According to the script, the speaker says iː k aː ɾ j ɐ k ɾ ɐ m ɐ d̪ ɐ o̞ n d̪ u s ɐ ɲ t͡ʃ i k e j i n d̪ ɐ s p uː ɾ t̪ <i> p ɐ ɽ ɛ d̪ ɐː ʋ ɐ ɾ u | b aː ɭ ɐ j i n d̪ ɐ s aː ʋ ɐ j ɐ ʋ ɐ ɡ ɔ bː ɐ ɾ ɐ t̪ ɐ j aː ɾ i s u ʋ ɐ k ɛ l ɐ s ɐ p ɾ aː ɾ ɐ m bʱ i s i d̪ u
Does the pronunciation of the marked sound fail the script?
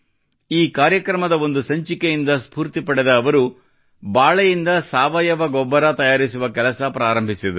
no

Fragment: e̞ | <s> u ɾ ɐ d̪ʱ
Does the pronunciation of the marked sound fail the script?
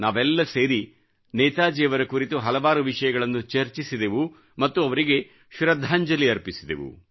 yes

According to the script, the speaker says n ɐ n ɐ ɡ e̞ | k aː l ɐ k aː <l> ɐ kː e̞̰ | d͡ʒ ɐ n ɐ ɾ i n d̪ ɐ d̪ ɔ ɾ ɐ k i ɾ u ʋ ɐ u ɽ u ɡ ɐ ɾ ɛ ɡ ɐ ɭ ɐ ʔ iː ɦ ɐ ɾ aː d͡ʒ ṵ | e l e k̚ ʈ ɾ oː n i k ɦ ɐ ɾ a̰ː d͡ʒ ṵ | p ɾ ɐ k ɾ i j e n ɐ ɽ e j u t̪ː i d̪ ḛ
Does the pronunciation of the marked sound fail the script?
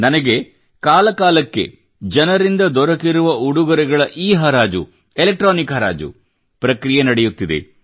no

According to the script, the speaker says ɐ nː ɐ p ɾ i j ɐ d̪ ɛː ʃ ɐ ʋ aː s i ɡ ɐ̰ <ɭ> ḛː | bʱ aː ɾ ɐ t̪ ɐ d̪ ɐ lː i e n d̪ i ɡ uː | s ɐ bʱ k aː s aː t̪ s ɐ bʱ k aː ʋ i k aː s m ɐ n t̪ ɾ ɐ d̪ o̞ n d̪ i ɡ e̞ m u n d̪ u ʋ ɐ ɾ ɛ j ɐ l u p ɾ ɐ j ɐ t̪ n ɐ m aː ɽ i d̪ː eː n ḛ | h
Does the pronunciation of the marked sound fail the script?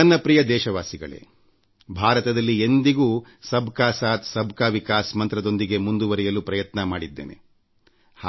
no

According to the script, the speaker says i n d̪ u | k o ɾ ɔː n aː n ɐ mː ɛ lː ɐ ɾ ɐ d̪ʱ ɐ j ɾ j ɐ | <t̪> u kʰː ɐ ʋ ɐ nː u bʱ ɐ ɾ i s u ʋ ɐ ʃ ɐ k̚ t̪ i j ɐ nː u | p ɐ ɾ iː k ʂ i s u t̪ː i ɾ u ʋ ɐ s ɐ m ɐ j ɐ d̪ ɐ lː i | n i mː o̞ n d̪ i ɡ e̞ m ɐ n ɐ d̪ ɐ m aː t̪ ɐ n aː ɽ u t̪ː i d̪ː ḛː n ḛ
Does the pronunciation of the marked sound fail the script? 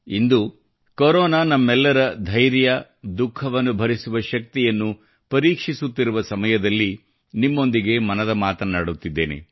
yes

